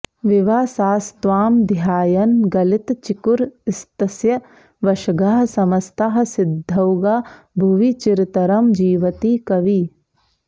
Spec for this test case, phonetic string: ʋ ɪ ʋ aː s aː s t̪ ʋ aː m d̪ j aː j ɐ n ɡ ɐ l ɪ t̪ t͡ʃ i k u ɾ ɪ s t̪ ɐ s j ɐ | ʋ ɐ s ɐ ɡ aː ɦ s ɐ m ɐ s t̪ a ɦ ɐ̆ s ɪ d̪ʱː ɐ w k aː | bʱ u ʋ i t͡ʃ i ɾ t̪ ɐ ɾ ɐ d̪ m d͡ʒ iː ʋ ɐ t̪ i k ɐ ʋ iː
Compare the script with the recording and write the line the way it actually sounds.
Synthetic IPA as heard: ʋ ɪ ʋ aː s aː s t̪ ʋ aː m d̪ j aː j ɐ n ɡ ɐ l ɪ t̪ t͡ʃ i k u ɾ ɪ s t̪ ɐ s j ɐ | ʋ ɐ ʃ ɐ ɡ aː ɦ s ɐ m ɐ s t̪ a ɦ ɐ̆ s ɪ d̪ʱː ɐ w ɡ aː | bʱ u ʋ i t͡ʃ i ɾ t̪ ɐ ɾ ɐ m d͡ʒ iː ʋ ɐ t̪ i k ɐ ʋ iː